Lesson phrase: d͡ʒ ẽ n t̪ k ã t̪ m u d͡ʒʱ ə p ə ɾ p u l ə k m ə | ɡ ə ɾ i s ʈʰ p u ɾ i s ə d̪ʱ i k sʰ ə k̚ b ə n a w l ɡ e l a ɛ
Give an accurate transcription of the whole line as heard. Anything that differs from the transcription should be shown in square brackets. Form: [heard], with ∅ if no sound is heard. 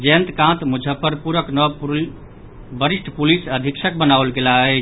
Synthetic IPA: d͡ʒ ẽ n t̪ k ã t̪ m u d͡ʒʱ ə p ə ɾ p u [ɾ] ə k [n] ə | [b] ə ɾ i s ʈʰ p u [l] i s ə d̪ʱ i k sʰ ə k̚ b ə n a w l ɡ e l a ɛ